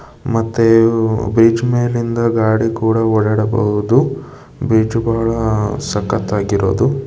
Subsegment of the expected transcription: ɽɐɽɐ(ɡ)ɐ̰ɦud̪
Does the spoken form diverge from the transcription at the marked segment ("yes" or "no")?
yes